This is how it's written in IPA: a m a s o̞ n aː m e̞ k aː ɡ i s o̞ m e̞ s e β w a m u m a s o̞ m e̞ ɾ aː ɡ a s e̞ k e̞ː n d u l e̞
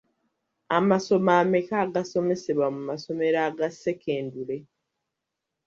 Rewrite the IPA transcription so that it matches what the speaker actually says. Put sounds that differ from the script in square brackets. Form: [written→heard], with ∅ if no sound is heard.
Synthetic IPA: a m a s o̞ [n→m] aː m e̞ k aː ɡ [i→a] s o̞ m e̞ s e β w a m u m a s o̞ m e̞ ɾ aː ɡ a s e̞ k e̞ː n d u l e̞